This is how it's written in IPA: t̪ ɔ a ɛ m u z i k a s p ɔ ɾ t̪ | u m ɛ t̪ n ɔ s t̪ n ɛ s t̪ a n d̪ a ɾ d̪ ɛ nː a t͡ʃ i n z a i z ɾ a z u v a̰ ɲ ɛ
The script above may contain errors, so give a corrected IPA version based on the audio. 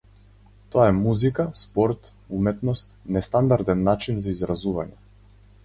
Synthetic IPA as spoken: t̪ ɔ a ɛ m u z i k a s p ɔ ɾ t̪ | u m ɛ t̪ n ɔ s t̪ n ɛ s t̪ a n d̪ a ɾ d̪ ɛ nː a t͡ʃ i n z a i z ɾ a z u v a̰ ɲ ɛ